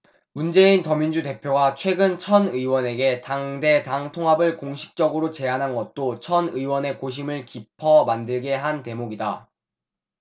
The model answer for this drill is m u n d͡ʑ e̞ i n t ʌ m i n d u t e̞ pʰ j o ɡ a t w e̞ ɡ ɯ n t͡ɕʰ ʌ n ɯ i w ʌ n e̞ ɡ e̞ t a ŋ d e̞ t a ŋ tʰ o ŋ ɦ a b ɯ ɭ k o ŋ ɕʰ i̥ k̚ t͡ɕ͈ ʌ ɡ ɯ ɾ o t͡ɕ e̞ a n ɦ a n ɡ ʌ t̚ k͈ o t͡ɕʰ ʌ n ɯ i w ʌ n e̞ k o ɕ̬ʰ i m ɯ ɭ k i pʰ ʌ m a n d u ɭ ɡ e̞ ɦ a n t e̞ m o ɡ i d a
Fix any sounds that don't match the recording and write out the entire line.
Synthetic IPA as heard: m u n d͡ʑ e̞ i n t ʌ m i n d͡ʑ u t e̞ pʰ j o ɡ a t͡ɕʰ w e̞ ɡ ɯ n t͡ɕʰ ʌ n ɯ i w ʌ n e̞ ɡ e̞ t a ŋ d e̞ t a ŋ tʰ o ŋ ɦ a b ɯ ɭ k o ŋ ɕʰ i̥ k̚ t͡ɕ͈ ʌ ɡ ɯ ɾ o t͡ɕ e̞ a n ɦ a n ɡ ʌ t̚ t͈ o t͡ɕʰ ʌ n ɯ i w ʌ n e̞ k o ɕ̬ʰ i m ɯ ɭ k i pʰ ʌ m a n d ɯ ɭ ɡ e̞ ɦ a n t e̞ m o ɡ i d a